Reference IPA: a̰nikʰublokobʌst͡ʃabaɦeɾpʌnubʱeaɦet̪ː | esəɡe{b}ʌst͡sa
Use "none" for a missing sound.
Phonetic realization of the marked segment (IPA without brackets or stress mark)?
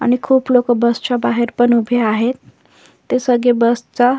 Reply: b